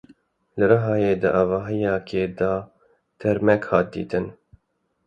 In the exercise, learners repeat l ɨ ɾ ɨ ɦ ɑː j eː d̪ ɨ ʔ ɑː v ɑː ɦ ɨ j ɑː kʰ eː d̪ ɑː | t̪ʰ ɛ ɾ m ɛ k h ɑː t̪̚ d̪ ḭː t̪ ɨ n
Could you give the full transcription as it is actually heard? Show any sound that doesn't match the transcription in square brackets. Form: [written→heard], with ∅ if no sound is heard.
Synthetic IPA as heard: l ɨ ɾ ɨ ɦ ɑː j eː d̪ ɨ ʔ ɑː v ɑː ɦ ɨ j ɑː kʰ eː d̪ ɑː | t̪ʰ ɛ ɾ m ɛ k h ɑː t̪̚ d̪ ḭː t̪ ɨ n